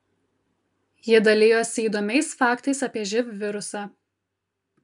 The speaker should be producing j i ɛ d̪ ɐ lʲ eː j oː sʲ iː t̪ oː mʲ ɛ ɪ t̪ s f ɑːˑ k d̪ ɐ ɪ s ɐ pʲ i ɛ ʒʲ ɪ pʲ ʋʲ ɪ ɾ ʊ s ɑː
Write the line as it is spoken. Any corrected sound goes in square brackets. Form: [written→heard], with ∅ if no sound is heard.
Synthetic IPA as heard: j i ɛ d̪ ɐ lʲ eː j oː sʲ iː [t̪→d̪] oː mʲ ɛ ɪ [t̪→∅] s f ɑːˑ k [d̪→t̪] ɐ ɪ s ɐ pʲ i ɛ ʒʲ ɪ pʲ ʋʲ ɪ ɾ ʊ s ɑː